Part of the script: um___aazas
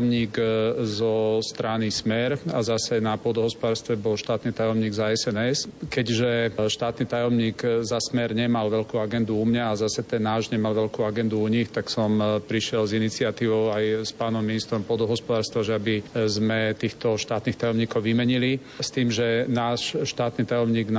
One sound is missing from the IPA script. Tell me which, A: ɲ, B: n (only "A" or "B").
A